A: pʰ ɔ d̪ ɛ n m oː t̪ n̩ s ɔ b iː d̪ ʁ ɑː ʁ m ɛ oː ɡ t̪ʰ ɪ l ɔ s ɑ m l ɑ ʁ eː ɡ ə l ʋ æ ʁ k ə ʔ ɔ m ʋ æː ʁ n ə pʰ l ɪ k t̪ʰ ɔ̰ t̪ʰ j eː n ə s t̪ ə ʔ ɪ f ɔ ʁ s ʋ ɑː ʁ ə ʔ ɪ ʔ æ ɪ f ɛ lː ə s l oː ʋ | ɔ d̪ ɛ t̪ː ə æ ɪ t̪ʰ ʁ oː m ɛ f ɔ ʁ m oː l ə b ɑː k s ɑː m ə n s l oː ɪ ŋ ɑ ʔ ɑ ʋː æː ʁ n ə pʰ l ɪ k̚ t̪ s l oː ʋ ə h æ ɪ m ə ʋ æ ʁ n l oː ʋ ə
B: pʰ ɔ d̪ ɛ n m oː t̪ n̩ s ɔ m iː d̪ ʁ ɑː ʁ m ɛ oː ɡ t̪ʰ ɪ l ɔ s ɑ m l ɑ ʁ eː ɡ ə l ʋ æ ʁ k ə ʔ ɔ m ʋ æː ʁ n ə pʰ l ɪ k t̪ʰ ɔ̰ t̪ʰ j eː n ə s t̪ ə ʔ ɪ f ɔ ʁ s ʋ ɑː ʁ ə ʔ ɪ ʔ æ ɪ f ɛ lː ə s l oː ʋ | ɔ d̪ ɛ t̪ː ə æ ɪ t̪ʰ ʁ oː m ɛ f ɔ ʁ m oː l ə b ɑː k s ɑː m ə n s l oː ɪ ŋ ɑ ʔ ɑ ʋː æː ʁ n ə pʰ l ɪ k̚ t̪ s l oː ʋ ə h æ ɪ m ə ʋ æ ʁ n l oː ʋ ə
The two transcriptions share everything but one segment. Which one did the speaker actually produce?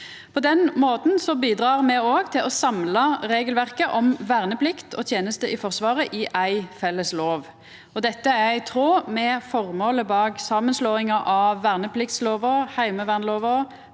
A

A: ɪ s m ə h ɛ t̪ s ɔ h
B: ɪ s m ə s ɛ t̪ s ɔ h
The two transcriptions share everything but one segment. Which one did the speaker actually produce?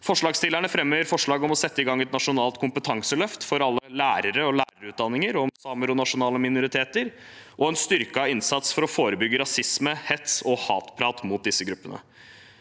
A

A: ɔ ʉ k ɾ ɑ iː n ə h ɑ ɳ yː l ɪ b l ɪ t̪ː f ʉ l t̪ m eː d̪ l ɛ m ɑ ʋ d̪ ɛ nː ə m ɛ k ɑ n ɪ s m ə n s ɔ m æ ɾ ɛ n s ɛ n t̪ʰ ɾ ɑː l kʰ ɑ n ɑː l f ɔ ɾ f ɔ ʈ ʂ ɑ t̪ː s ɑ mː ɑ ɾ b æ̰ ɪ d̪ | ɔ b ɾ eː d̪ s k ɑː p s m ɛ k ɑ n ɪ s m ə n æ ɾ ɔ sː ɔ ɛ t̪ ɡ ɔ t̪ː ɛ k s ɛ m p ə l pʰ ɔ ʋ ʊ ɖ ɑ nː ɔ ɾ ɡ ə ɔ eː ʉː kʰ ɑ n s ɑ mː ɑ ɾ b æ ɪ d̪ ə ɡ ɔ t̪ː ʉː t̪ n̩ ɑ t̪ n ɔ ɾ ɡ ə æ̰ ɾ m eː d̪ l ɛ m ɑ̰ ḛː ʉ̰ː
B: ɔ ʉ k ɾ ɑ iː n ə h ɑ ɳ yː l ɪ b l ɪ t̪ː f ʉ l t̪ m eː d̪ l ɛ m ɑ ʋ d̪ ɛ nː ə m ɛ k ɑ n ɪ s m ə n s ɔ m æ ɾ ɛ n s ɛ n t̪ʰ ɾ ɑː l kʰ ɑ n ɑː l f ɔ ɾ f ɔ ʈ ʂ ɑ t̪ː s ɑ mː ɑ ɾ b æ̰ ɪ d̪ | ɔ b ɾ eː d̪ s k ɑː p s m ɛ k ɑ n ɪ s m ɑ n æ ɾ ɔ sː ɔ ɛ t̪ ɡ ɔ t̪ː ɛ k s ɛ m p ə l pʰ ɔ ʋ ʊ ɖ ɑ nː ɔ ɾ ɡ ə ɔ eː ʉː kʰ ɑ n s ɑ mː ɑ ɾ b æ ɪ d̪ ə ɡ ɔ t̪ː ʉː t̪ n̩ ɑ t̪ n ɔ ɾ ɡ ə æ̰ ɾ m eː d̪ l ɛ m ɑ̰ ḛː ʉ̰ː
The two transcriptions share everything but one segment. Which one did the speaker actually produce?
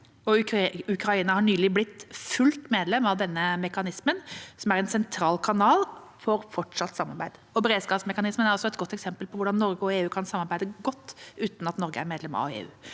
A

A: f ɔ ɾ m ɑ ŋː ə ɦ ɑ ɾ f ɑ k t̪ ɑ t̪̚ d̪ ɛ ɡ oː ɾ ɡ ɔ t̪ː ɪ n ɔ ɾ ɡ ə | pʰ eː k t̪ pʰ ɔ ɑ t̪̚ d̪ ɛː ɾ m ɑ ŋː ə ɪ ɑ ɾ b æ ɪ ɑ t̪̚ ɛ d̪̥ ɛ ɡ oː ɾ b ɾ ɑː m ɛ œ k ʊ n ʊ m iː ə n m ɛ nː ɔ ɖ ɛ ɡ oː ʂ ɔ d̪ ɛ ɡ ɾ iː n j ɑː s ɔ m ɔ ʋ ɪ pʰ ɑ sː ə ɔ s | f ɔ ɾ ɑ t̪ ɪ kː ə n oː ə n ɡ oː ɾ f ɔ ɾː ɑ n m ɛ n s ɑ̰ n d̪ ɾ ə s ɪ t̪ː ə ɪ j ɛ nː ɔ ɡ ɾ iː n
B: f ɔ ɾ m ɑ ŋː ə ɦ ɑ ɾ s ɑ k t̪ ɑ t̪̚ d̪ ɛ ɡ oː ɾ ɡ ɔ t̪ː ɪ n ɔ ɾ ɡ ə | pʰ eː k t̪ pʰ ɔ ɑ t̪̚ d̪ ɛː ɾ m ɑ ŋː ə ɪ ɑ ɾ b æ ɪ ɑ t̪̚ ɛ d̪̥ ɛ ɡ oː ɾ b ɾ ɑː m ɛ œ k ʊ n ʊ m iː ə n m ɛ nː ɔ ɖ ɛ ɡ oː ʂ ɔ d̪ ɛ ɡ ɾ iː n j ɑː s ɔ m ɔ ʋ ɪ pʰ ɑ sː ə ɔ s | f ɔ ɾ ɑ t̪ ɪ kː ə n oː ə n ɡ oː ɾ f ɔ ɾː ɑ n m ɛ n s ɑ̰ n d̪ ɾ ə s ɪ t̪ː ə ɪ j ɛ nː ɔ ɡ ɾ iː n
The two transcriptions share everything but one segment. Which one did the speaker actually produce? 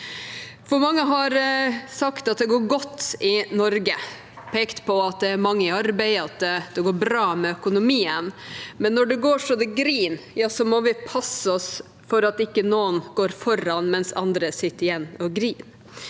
B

